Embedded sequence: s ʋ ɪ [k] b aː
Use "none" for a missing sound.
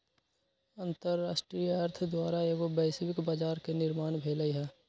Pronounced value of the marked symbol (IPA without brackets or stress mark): k